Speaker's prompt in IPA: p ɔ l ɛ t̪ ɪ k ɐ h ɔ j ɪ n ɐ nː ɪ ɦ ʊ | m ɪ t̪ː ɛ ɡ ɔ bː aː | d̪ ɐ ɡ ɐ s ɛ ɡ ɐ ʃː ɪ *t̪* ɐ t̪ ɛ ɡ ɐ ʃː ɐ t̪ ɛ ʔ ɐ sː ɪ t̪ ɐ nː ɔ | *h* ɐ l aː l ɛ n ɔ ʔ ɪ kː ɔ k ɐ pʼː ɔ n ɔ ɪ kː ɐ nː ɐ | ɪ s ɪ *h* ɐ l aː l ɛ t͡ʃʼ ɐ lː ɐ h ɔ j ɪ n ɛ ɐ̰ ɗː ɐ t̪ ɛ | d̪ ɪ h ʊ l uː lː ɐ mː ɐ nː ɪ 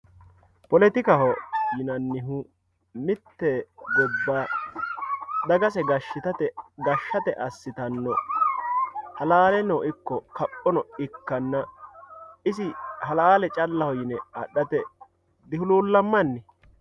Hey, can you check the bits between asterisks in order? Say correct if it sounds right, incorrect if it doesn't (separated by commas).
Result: correct, correct, correct